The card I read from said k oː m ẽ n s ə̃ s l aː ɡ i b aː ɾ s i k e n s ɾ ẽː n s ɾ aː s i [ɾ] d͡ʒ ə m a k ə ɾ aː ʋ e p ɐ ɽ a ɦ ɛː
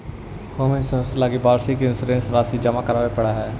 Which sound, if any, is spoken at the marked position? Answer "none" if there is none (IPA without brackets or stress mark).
none